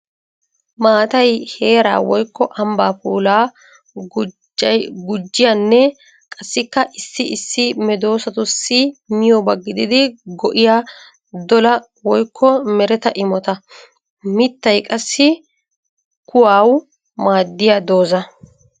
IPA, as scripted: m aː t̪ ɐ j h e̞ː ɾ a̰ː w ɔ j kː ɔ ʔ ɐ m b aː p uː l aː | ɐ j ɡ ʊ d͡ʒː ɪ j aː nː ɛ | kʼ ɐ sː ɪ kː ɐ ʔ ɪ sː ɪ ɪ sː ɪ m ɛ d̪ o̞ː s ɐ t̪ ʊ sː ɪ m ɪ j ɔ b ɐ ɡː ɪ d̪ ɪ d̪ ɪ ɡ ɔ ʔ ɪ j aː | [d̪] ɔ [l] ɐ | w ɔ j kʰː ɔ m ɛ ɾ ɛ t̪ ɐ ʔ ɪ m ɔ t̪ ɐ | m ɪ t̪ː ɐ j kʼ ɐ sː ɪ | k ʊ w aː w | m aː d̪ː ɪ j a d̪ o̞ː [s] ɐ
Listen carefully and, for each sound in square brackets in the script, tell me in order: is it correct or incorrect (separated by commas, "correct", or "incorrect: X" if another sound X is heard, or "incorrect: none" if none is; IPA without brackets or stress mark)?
correct, correct, incorrect: z